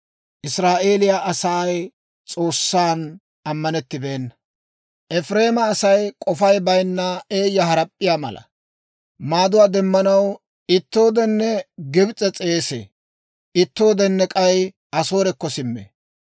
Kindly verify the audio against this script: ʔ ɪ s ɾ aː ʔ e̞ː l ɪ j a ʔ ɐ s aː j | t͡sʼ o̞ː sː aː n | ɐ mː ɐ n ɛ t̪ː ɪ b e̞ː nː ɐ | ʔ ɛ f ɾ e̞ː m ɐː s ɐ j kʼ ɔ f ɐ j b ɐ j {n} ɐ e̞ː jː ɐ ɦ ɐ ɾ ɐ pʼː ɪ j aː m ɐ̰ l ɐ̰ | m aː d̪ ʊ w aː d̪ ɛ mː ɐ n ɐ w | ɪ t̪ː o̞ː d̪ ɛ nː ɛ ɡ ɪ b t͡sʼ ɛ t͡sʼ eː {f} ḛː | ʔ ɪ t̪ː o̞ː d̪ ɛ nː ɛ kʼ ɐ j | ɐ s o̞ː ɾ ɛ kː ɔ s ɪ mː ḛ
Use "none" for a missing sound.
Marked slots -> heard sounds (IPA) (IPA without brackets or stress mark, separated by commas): nː, s